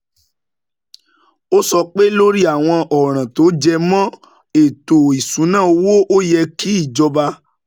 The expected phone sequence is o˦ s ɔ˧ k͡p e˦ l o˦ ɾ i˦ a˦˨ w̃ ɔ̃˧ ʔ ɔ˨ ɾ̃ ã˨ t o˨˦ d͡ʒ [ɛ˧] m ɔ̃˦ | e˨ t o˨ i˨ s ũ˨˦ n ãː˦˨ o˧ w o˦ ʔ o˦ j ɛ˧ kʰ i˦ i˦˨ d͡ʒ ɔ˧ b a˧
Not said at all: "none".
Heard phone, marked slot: ɛ˧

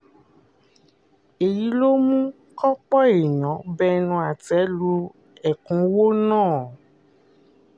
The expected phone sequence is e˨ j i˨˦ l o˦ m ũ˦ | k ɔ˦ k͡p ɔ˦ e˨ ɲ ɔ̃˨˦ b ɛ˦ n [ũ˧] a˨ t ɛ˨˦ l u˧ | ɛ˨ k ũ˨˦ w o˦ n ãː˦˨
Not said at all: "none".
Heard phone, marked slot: ũ˧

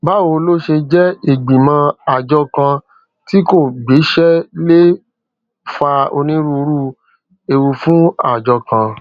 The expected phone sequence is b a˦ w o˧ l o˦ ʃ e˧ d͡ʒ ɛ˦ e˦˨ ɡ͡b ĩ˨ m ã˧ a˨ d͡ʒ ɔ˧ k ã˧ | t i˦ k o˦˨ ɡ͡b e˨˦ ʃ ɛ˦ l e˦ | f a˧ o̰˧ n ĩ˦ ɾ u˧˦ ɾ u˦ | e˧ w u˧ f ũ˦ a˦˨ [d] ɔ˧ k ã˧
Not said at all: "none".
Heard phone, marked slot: d͡ʒ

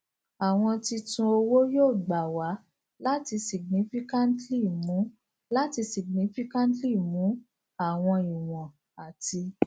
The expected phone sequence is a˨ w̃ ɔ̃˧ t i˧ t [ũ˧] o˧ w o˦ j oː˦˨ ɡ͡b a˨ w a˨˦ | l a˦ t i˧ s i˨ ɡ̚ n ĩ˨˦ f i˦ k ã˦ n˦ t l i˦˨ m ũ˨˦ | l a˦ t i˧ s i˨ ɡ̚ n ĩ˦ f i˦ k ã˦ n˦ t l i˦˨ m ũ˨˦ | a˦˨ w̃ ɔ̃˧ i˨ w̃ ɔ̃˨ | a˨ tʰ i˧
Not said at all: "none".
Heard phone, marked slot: ũ˧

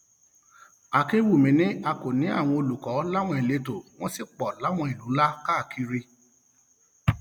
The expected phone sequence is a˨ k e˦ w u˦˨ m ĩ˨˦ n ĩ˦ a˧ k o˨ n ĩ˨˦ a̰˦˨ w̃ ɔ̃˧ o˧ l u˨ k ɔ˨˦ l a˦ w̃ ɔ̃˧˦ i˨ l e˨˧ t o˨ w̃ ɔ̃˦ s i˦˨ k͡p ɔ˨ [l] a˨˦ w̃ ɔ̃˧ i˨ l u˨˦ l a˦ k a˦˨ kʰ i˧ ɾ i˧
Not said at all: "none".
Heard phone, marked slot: l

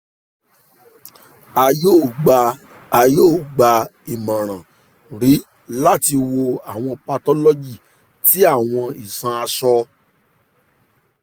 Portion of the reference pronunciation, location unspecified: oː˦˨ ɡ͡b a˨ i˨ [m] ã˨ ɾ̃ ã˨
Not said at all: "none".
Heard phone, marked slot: m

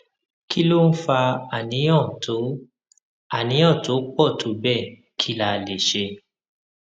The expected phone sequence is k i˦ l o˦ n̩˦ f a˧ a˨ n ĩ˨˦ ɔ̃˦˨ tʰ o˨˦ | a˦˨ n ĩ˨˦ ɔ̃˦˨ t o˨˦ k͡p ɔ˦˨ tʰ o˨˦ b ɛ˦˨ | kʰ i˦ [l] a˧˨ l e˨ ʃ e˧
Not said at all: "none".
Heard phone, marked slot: l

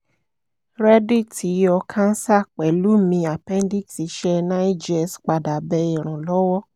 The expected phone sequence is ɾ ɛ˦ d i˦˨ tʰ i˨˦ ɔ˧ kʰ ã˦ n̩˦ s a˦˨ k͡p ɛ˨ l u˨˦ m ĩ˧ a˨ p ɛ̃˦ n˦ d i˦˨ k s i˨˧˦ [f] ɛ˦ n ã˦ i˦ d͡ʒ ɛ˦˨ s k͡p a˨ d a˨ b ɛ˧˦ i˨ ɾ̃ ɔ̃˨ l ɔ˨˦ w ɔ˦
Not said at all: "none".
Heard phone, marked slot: ʃ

